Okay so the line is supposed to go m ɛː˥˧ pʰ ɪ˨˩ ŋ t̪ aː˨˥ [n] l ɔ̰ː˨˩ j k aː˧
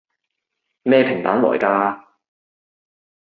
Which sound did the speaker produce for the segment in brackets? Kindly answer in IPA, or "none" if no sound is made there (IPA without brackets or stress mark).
n